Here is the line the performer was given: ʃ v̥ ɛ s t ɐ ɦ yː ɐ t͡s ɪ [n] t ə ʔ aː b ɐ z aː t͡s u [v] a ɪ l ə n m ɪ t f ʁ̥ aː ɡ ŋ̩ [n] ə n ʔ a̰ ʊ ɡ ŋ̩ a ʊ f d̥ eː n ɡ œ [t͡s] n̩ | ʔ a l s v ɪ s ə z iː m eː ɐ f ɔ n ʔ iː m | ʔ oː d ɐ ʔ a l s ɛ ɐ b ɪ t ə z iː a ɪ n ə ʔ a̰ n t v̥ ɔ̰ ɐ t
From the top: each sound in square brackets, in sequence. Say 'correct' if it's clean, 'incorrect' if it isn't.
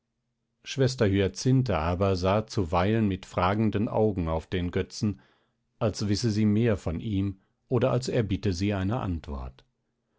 correct, correct, incorrect: d, correct

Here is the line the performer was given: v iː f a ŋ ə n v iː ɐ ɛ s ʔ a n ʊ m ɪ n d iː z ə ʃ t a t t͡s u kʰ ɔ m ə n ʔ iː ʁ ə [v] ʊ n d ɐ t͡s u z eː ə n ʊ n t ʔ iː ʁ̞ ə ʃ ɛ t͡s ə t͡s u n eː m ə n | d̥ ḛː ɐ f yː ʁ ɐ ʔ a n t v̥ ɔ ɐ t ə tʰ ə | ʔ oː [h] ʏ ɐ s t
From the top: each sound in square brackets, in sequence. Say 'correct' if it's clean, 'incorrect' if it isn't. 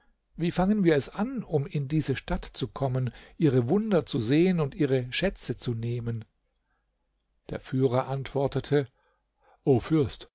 correct, incorrect: f

